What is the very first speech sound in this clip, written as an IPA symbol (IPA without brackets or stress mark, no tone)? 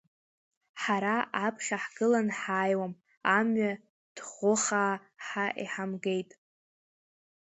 ħ